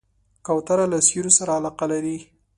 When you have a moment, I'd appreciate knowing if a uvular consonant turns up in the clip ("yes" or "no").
yes